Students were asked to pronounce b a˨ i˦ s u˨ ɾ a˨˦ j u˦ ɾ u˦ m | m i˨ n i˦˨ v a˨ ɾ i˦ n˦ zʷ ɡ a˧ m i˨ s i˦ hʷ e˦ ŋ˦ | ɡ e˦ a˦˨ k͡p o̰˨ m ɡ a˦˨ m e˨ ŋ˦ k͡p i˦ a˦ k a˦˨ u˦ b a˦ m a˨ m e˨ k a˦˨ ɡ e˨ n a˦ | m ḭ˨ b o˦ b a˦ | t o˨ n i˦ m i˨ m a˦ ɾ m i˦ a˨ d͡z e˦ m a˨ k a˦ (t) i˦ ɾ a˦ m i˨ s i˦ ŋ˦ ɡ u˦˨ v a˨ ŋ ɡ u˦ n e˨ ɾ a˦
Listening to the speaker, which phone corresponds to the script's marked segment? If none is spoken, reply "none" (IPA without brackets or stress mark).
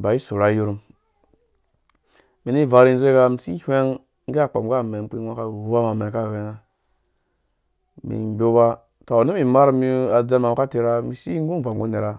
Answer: t